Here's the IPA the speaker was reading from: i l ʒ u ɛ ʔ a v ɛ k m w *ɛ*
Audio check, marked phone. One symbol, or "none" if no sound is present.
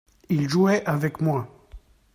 a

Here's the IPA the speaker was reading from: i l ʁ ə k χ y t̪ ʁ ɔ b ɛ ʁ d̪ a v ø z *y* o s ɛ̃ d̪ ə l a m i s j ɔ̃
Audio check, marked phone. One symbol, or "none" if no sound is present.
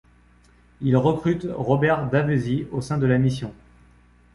i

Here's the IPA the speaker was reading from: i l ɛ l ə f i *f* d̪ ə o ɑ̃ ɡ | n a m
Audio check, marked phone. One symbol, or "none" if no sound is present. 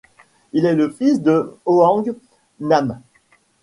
s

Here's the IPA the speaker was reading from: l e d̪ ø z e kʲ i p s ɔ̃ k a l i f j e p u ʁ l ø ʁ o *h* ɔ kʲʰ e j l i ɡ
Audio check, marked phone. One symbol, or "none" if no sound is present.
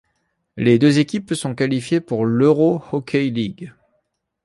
h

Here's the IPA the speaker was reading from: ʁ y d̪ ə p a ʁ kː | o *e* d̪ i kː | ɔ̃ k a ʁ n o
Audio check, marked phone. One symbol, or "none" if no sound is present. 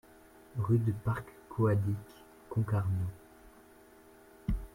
a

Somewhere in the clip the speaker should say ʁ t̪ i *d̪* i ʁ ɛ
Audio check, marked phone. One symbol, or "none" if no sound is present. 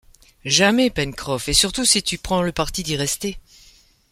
d̪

